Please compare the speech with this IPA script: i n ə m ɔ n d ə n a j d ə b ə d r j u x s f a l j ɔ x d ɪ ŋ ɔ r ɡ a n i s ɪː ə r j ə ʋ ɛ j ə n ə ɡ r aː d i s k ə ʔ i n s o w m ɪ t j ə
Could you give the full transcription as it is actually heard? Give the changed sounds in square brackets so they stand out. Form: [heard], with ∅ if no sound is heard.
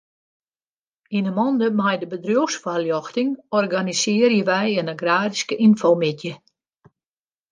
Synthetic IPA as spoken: i n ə m ɔ n d ə [m] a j d ə b ə d r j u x s f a l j ɔ x [t] ɪ ŋ ɔ r ɡ a n i s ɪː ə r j ə ʋ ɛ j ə n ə ɡ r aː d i s k ə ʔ i n [f] o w m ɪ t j ə